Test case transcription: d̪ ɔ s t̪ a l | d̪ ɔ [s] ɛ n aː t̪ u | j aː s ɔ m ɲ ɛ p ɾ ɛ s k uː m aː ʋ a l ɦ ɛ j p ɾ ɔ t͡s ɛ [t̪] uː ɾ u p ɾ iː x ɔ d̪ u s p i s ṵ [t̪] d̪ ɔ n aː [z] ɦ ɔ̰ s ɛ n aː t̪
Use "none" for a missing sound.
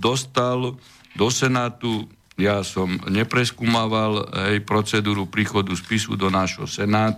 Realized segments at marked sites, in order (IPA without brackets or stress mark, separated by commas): s, d̪, none, ʒ